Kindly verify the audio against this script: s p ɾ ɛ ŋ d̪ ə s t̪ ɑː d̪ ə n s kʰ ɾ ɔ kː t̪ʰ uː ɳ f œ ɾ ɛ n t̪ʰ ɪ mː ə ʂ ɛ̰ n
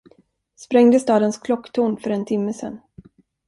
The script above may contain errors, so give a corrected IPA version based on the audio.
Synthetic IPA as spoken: s p ɾ ɛ ŋ d̪ ə s t̪ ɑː d̪ ə n s kʰ l ɔ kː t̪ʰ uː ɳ f œ ɾ ɛ n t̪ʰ ɪ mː ə s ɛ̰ n